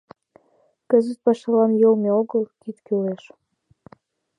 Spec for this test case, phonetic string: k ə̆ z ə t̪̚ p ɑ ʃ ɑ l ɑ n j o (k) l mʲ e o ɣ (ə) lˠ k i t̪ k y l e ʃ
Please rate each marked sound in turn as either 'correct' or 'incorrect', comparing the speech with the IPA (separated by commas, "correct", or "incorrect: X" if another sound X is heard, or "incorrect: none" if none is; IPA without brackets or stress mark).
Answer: incorrect: none, correct